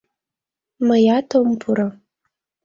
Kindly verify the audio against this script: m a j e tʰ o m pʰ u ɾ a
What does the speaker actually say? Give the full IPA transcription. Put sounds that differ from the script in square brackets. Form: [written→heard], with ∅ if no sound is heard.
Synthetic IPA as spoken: m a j [e→a] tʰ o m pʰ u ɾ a